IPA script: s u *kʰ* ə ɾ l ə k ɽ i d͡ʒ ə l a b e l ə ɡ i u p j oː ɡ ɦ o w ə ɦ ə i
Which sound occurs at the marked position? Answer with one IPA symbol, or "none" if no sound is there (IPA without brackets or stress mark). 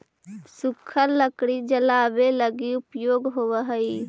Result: kʰ